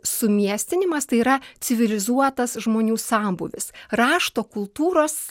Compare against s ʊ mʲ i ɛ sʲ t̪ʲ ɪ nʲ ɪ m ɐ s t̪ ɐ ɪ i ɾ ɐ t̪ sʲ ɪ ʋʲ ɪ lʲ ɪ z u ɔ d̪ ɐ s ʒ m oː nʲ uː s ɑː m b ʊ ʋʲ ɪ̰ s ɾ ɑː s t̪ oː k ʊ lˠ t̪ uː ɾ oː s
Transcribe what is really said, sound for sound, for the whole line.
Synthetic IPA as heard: s ʊ mʲ i ɛ sʲ t̪ʲ ɪ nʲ ɪ m ɐ s t̪ ɐ ɪ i ɾ ɐ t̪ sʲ ɪ ʋʲ ɪ lʲ ɪ z u ɔ t̪ ɐ s ʒ m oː nʲ uː s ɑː m b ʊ ʋʲ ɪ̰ s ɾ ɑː ʃ t̪ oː k ʊ lˠ t̪ uː ɾ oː s